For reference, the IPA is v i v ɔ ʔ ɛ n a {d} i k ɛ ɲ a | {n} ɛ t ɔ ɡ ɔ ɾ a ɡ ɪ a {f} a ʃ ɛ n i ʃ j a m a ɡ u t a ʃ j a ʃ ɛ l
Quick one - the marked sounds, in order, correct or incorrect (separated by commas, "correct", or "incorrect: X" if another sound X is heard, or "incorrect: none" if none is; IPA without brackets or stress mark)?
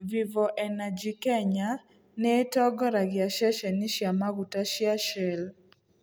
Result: incorrect: d͡ʒ, correct, incorrect: ʃ